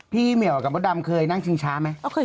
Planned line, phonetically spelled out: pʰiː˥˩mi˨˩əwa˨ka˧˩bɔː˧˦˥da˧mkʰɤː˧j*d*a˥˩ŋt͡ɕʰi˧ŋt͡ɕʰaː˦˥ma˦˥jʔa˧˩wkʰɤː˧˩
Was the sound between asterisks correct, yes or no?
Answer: no